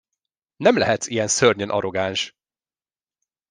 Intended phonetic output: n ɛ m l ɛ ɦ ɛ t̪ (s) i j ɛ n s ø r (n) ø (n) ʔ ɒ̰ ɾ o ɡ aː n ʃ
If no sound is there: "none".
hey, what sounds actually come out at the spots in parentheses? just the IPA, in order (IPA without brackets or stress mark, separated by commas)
s, ɲ, n